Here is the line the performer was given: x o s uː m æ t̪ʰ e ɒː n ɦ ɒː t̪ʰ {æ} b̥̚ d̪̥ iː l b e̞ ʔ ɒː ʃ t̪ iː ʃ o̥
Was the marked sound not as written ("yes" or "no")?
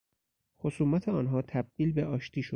no